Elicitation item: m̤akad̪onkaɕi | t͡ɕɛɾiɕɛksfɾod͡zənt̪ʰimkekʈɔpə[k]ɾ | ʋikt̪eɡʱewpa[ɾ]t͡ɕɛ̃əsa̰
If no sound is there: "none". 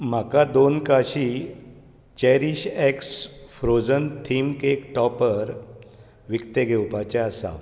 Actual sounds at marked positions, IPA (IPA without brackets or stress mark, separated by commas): none, none